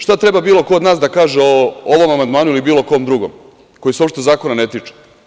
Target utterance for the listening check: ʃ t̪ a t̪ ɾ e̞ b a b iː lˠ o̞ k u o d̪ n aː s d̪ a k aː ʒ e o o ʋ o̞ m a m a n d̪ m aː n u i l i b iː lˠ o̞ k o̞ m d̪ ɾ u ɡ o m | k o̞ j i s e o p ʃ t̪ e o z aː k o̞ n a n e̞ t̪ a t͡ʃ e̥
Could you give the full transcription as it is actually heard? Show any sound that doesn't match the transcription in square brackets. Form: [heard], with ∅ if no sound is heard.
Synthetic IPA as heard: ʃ t̪ a t̪ ɾ e̞ b a b iː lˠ o̞ k [o] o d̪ n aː s d̪ a k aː ʒ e o o ʋ o̞ m a m a n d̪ m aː n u i l i b iː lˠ o̞ k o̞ m d̪ ɾ u ɡ o m | k o̞ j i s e o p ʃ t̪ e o z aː k o̞ n a n e̞ t̪ [i] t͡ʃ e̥